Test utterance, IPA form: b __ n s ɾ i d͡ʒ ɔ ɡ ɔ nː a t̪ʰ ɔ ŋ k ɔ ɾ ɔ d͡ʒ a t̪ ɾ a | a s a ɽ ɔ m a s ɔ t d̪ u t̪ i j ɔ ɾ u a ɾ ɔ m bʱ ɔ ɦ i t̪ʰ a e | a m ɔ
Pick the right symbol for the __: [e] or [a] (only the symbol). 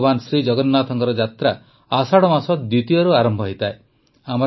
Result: a